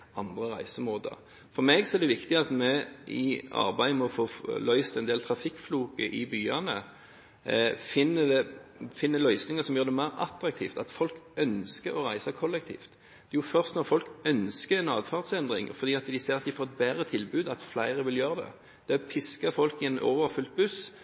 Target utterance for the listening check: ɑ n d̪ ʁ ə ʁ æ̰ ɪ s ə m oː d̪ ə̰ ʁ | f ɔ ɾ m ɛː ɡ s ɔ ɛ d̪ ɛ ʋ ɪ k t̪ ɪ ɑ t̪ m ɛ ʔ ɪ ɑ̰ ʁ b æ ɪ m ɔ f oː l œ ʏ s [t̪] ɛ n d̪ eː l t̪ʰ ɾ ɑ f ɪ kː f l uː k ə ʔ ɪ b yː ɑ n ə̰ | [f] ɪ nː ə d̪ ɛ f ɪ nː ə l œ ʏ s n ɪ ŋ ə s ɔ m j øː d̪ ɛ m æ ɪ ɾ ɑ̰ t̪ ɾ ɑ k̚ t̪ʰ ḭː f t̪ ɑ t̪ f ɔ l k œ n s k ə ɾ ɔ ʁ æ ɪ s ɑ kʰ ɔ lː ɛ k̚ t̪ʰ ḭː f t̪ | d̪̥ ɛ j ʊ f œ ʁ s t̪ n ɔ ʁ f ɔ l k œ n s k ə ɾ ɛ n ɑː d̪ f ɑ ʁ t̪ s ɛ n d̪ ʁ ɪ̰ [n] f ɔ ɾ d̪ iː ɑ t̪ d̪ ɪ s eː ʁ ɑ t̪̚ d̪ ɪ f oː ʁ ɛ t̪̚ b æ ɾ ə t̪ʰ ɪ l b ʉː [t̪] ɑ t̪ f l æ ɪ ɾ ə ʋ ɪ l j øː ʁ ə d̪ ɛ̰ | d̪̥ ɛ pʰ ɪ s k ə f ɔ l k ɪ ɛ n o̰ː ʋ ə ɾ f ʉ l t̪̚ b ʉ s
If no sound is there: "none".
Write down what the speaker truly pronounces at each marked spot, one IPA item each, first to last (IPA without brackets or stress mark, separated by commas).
t̪, f, ŋ, d̪